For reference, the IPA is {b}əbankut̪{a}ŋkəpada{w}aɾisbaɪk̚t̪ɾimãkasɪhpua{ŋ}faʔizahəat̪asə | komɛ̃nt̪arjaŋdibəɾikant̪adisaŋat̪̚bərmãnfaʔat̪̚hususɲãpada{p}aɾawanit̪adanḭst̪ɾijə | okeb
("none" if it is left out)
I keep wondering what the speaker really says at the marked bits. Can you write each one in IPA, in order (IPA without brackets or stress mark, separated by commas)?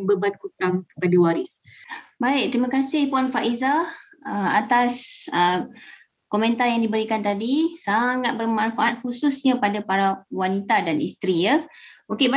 b, a, w, n, p